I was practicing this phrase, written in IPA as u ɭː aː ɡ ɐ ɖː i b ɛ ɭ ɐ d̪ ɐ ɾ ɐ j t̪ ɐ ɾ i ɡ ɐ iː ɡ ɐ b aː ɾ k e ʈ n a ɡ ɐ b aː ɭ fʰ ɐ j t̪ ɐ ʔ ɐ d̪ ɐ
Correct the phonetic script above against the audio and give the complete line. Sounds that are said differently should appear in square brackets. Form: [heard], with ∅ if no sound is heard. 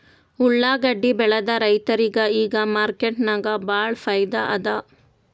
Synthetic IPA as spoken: u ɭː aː ɡ ɐ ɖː i b ɛ ɭ ɐ d̪ ɐ ɾ ɐ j t̪ ɐ ɾ i ɡ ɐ iː ɡ ɐ [m] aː ɾ k e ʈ n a ɡ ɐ b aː ɭ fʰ ɐ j [d̪] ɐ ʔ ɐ d̪ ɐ